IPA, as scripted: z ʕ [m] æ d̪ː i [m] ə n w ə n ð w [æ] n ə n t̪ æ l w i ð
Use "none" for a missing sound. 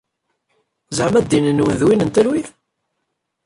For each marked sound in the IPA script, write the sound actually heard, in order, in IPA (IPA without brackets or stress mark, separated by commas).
m, n, i